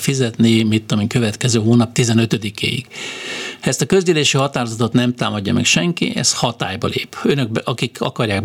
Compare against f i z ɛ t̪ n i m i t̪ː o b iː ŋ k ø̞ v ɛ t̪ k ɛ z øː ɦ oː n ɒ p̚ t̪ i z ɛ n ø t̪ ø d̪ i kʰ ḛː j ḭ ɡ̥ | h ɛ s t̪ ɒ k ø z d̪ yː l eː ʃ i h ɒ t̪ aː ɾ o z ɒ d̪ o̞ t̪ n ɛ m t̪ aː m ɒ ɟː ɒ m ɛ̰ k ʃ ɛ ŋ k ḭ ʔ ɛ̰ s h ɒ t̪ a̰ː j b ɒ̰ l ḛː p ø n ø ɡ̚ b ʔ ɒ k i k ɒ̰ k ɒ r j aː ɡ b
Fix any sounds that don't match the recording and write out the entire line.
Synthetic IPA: f i z ɛ t̪ n i m i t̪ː o m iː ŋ k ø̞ v ɛ t̪ k ɛ z øː ɦ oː n ɒ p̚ t̪ i z ɛ n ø t̪ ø d̪ i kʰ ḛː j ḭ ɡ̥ | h ɛ s t̪ ɒ k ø z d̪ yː l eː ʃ i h ɒ t̪ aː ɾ o z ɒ t̪ o̞ t̪ n ɛ m t̪ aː m ɒ ɟː ɒ m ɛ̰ k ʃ ɛ ŋ k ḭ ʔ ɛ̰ s h ɒ t̪ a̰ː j b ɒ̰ l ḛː p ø n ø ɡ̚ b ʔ ɒ k i k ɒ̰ k ɒ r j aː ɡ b